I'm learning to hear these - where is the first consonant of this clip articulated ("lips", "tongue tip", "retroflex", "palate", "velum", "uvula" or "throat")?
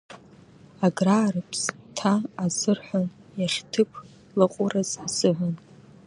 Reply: velum